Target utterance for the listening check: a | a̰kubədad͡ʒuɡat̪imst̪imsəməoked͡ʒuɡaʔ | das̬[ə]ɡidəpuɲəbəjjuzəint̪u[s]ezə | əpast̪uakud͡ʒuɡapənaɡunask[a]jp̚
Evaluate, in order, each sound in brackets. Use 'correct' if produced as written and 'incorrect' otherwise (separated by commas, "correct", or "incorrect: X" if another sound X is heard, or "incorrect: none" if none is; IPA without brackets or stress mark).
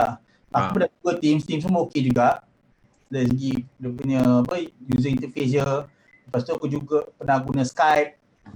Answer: correct, incorrect: f, correct